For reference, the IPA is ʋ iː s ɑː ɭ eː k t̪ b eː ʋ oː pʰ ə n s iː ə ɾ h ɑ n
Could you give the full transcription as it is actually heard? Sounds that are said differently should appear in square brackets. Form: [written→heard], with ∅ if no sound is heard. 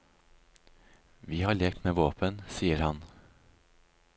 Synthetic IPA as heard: ʋ iː [s→h] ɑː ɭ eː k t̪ [b→m] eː ʋ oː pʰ ə n s iː ə ɾ h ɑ n